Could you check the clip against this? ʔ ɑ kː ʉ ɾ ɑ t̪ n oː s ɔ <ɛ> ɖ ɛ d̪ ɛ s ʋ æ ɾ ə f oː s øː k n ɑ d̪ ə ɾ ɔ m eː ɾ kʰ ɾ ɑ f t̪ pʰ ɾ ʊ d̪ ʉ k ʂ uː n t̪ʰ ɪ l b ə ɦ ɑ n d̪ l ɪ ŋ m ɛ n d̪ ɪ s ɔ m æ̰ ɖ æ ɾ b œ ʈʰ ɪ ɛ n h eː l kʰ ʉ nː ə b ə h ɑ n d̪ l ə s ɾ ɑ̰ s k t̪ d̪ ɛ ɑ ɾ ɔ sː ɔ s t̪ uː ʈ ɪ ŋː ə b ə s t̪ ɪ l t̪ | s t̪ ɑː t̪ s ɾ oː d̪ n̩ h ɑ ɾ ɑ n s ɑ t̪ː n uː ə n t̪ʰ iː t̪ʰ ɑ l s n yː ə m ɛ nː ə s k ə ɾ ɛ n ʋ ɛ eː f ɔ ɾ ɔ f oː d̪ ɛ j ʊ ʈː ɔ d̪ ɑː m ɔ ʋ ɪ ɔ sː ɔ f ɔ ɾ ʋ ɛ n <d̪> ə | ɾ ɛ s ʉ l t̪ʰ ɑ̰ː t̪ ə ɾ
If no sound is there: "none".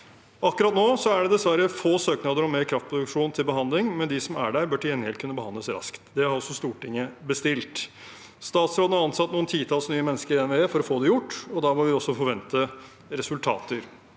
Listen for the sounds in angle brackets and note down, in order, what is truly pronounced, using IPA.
æ, t̪

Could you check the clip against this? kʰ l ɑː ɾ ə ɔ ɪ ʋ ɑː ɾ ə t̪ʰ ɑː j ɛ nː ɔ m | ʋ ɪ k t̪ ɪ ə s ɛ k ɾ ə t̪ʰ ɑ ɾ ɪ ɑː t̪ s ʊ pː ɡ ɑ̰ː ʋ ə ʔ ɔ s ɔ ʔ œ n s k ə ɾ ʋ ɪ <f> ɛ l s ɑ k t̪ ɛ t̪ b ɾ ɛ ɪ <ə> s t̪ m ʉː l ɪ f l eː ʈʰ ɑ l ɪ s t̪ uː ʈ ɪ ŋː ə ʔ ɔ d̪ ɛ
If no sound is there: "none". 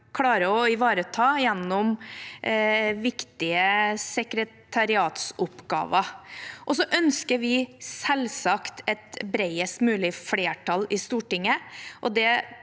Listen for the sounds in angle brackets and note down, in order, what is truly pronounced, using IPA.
s, ə

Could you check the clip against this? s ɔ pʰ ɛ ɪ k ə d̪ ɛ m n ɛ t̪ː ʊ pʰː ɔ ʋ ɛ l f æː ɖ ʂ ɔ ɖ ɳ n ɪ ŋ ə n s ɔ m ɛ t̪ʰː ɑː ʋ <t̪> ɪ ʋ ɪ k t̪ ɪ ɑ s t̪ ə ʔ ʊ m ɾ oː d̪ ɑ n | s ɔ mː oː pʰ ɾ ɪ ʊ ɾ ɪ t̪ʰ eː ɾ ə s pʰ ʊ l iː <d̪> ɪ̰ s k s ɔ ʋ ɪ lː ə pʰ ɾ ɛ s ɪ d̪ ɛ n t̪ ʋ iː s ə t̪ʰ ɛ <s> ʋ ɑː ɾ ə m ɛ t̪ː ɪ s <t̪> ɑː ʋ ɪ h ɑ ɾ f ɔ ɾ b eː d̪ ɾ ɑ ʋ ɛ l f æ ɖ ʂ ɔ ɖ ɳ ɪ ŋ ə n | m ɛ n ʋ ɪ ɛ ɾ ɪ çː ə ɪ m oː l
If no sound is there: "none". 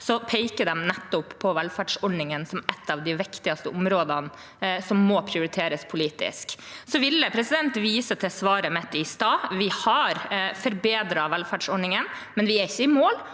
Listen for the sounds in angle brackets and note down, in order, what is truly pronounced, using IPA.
d̪, t̪, s, t̪

